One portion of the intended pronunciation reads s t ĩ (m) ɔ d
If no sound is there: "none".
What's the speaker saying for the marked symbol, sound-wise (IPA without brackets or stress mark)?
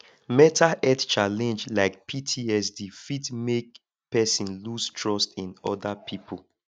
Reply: n